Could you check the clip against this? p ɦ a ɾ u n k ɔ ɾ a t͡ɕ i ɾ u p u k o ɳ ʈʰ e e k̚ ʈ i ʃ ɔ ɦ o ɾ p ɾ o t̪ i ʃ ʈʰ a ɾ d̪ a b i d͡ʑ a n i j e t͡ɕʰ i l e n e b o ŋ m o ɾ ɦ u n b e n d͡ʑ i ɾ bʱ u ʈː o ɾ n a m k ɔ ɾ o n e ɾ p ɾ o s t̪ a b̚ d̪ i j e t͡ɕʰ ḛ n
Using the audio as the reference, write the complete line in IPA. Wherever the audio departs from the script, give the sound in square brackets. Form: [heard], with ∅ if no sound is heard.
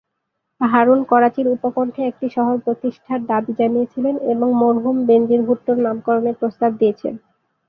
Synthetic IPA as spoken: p ɦ a ɾ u n k ɔ ɾ a t͡ɕ i ɾ u p [o] k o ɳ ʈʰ e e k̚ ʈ i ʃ ɔ ɦ o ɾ p ɾ o t̪ i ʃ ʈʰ a ɾ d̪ a b i d͡ʑ a n i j e t͡ɕʰ i l e n e b o ŋ m o ɾ ɦ u [m] b e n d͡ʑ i ɾ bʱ u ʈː o ɾ n a m k ɔ ɾ o n e ɾ p ɾ o s t̪ a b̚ d̪ i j e t͡ɕʰ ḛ n